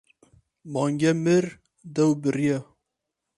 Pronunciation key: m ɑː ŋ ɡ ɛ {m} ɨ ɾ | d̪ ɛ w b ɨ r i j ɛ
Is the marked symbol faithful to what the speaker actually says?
yes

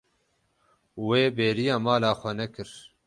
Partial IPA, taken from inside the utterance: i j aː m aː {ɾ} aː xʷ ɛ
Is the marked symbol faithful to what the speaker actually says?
no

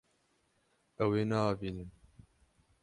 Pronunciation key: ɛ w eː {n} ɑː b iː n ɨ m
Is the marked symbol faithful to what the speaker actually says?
yes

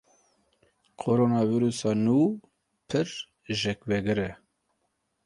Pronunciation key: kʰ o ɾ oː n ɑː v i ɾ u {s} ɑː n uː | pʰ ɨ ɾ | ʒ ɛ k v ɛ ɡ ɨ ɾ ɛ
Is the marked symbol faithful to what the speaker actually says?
yes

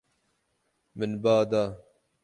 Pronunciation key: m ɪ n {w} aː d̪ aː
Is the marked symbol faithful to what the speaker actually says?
no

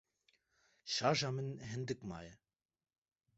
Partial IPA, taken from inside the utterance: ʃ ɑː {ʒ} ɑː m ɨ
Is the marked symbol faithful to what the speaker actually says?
yes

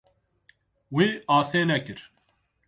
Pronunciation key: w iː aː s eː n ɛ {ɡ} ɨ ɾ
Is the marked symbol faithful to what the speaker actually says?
no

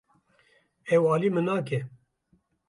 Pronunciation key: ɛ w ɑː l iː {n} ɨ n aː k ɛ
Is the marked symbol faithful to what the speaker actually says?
no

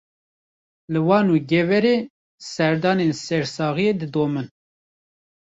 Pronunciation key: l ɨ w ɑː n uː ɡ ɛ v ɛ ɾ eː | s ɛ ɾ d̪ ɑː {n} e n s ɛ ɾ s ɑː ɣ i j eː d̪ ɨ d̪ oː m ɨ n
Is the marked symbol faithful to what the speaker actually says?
yes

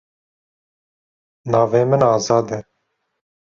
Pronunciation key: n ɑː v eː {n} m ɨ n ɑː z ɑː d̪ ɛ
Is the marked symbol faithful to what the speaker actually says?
no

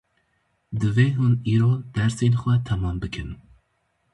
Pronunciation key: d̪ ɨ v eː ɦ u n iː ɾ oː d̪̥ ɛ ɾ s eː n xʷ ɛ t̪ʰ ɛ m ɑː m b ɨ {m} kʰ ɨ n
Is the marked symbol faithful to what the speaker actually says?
no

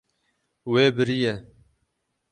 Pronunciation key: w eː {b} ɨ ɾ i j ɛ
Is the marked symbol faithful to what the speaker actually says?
yes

